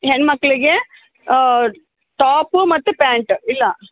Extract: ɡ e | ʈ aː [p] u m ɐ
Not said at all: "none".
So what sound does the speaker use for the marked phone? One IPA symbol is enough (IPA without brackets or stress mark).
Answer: p